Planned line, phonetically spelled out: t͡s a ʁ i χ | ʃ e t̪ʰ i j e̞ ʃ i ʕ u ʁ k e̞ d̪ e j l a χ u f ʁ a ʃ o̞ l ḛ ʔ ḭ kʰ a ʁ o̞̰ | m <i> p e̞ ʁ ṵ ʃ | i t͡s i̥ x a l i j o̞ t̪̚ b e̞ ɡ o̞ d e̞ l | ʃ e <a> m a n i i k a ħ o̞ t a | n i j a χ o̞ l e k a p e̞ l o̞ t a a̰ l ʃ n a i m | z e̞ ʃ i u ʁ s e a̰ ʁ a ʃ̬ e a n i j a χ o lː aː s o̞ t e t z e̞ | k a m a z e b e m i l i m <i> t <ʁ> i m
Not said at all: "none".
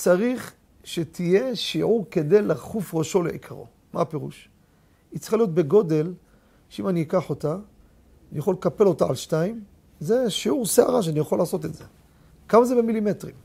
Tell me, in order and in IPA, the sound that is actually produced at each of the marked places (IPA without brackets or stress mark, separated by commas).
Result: a, i, e, ʁ